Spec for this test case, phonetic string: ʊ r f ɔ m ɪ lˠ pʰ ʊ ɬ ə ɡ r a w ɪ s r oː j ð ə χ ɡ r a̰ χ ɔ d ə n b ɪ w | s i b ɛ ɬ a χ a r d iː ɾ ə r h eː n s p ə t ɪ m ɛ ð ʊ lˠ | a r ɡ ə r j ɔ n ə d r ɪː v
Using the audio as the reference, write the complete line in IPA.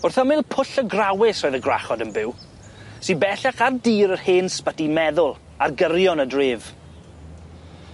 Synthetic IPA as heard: ʊ r θ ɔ m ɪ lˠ pʰ ʊ ɬ ə ɡ r a w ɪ s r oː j ð ə ɡ r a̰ χ ɔ d ə n b ɪ w | s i b ɛ ɬ a χ a r d iː ɾ ə r h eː n s p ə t i m ɛ ð ʊ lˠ | a r ɡ ə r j ɔ n ə d r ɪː v